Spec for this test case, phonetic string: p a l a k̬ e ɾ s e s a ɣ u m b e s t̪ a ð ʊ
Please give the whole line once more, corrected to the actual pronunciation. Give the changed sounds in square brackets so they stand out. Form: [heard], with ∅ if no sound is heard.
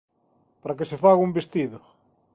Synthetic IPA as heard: p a [ɾ] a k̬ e [∅] s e [f] a ɣ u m b e s t̪ [i] ð ʊ